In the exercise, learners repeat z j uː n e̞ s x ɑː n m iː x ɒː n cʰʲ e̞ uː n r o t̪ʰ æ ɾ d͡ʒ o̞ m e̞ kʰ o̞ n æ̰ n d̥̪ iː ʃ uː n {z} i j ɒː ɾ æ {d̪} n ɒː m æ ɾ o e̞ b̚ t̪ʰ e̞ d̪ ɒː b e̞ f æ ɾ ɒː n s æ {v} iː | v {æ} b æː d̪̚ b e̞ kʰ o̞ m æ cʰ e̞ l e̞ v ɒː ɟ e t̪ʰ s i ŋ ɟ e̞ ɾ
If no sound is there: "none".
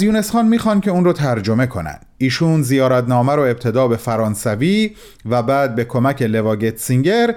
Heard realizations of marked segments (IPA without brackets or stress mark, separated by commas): z, t̪, v, æ